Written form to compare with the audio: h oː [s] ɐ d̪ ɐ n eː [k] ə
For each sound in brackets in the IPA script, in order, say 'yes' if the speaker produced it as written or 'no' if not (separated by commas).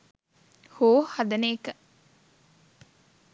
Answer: no, yes